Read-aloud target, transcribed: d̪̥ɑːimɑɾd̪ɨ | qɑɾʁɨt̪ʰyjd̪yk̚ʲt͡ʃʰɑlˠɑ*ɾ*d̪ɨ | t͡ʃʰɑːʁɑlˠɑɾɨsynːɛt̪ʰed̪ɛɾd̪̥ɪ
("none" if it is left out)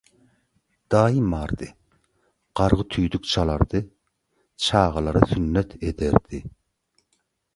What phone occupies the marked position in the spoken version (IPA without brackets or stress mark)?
ɾ